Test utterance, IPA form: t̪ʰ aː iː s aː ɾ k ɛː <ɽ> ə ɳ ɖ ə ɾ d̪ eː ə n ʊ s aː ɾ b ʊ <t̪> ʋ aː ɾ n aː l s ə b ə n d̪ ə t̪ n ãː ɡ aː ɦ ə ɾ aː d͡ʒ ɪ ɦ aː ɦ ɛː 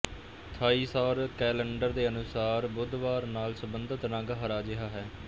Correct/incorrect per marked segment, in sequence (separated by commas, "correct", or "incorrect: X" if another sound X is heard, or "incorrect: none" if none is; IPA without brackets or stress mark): incorrect: l, incorrect: d̪